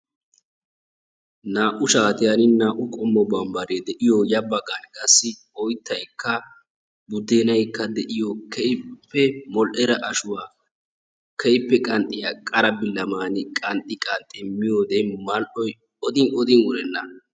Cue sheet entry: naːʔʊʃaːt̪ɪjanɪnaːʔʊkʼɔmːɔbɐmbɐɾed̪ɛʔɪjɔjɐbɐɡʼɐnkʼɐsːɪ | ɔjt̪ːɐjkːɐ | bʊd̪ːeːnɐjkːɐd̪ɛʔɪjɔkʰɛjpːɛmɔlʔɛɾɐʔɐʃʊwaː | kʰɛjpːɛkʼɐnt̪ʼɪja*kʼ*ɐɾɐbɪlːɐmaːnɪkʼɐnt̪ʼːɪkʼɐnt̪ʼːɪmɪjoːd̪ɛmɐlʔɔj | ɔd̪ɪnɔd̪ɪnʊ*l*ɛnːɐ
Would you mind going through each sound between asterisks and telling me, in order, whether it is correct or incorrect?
correct, incorrect: ɾ

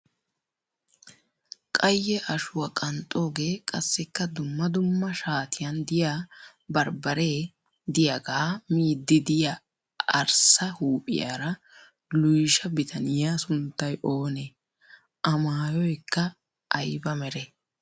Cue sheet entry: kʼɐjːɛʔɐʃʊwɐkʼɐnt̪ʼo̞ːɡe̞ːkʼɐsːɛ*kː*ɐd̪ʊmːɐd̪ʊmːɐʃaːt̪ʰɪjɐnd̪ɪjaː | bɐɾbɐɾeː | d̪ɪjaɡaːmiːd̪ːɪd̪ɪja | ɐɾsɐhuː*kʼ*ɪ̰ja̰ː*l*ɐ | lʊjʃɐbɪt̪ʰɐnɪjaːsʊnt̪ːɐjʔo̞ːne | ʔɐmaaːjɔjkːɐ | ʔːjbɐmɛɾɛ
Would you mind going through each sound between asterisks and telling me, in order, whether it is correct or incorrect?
correct, incorrect: pʼ, incorrect: ɾ

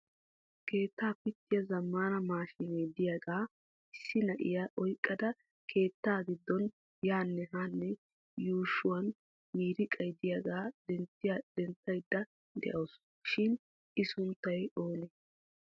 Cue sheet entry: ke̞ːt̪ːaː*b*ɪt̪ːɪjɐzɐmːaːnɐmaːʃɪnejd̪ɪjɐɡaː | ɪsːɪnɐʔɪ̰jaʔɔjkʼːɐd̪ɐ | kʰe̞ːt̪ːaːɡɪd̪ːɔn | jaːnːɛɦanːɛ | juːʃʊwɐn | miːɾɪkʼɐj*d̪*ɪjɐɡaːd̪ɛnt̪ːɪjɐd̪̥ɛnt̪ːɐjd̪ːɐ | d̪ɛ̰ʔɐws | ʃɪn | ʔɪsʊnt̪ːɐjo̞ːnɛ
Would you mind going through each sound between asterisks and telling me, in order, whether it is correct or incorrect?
incorrect: p, correct

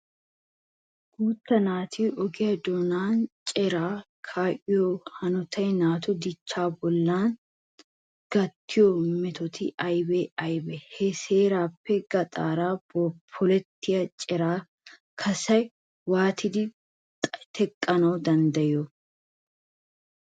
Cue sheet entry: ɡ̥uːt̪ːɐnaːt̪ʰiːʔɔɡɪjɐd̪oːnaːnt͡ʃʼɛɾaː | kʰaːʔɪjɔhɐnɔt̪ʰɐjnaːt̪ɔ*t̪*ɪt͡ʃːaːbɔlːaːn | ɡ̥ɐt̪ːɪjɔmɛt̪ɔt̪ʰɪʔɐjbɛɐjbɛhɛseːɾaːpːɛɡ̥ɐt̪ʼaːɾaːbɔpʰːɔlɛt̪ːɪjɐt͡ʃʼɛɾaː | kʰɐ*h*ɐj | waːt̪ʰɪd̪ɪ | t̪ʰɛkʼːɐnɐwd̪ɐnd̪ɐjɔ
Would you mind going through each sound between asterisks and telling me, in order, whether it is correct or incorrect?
incorrect: d̪, incorrect: s

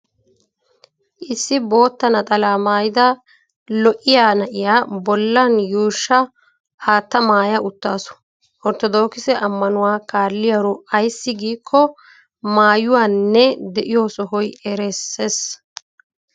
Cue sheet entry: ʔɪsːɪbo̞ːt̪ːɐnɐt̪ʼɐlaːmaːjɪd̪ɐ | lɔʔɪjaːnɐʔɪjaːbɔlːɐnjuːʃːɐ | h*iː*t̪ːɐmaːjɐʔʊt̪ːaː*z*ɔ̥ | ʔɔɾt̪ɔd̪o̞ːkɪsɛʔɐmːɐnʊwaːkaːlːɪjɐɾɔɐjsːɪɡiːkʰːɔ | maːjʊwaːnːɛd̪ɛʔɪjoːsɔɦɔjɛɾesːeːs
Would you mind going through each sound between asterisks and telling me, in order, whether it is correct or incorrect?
incorrect: aː, incorrect: s

